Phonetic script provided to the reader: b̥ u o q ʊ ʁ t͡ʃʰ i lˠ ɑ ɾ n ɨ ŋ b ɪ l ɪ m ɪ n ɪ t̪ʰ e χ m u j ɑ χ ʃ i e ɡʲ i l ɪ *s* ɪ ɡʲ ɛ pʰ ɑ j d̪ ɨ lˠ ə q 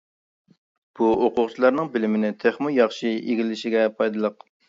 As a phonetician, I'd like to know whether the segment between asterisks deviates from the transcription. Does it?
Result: yes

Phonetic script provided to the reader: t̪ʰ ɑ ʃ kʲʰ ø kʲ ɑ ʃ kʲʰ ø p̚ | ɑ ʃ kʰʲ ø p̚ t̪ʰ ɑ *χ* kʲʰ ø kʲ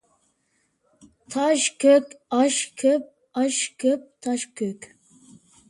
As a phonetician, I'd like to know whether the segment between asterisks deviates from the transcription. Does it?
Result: yes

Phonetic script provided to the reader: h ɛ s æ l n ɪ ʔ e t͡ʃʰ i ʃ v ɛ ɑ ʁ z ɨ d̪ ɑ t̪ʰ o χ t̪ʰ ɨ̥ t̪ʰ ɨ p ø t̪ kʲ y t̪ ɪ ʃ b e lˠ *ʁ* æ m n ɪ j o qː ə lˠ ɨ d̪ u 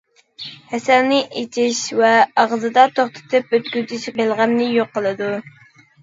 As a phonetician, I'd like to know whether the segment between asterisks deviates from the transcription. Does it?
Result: no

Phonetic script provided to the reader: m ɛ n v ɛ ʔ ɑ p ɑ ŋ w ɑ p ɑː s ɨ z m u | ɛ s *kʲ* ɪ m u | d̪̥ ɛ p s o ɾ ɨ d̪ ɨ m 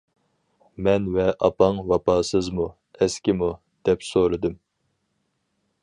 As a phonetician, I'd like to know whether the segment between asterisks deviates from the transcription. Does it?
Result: no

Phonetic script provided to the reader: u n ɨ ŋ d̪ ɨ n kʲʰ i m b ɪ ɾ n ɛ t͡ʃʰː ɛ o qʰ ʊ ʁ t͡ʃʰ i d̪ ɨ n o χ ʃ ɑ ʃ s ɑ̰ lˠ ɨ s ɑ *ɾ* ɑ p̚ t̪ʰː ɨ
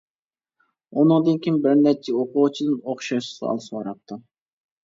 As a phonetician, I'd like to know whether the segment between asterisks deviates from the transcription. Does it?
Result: no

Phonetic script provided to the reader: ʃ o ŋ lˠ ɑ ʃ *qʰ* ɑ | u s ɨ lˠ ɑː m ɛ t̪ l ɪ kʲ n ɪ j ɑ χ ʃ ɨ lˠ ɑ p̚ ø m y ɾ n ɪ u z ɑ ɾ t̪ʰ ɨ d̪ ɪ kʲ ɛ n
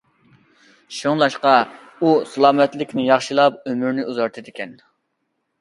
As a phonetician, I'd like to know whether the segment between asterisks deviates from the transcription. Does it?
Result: yes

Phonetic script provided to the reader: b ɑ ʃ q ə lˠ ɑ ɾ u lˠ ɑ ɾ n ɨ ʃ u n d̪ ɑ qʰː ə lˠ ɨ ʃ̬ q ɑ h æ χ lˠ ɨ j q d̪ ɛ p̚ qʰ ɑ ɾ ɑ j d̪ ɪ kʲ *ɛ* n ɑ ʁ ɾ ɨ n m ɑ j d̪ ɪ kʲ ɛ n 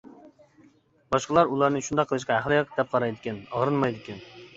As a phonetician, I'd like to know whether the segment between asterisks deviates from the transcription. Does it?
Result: no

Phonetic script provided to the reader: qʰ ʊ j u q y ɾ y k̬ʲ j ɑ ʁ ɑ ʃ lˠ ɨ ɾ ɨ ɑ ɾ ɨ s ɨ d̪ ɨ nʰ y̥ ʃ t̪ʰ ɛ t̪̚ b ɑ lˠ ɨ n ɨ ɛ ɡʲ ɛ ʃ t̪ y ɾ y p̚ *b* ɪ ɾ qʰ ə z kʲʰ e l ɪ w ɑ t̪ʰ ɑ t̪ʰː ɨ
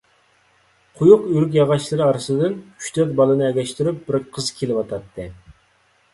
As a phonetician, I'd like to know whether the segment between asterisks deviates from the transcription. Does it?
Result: no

